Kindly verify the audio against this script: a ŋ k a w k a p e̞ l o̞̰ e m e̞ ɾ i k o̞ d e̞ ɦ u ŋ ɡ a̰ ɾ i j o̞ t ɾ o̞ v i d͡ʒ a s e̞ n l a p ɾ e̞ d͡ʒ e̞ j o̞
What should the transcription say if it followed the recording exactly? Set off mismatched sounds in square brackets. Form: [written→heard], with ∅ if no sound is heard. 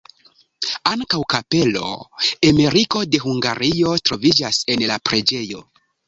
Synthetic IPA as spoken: a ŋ k a w k a p e̞ l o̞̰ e m e̞ ɾ i k o̞ d e̞ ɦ u ŋ ɡ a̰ ɾ i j o̞ t ɾ o̞ v i d͡ʒ a s e̞ n l a p ɾ e̞ d͡ʒ e̞ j o̞